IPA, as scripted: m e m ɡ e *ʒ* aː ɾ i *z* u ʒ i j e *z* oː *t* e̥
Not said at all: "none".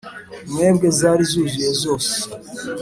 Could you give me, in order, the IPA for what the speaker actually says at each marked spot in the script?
z, z, z, s

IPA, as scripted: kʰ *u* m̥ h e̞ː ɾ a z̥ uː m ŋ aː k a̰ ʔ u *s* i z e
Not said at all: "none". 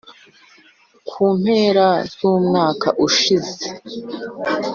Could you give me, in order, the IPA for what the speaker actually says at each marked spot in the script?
uː, ʃ

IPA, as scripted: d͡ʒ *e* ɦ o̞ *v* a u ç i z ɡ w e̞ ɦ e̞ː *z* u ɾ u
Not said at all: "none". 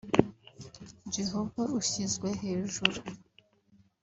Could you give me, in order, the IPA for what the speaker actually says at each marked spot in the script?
e, v, ʒ

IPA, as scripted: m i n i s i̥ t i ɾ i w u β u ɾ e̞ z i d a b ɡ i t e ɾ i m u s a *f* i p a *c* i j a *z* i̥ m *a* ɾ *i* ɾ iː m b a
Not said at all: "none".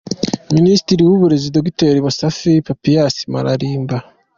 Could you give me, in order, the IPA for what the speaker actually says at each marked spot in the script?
f, p, s, a, a

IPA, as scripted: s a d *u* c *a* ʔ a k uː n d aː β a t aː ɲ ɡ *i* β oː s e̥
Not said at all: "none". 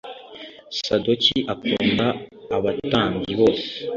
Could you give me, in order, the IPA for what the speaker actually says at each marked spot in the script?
o, i, i

